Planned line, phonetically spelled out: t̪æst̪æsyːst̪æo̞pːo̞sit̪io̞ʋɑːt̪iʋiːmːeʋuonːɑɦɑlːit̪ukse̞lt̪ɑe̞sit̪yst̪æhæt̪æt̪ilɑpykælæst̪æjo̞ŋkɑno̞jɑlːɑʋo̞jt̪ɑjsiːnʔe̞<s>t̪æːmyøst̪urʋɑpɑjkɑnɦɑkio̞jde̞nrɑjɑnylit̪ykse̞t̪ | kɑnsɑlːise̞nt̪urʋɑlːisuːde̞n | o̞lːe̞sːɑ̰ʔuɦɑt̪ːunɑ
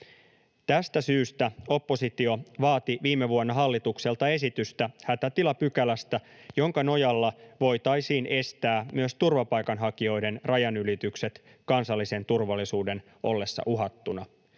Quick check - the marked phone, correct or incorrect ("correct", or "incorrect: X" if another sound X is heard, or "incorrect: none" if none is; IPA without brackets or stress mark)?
correct